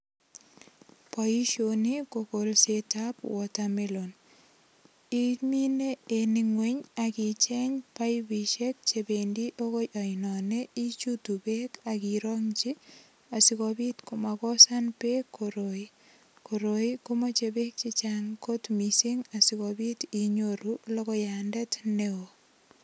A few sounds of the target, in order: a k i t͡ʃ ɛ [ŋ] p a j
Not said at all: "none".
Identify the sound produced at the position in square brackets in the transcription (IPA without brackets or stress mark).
ɲ